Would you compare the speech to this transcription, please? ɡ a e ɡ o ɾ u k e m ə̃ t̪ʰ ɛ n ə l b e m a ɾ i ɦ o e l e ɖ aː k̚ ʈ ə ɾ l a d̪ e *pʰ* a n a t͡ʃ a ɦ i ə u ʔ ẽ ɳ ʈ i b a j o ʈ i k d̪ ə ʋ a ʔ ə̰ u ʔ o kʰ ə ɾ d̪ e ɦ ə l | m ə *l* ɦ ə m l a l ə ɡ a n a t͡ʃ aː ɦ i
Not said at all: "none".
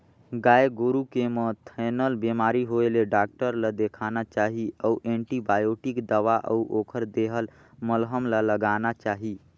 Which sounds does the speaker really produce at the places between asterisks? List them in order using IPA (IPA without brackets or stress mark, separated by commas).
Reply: kʰ, l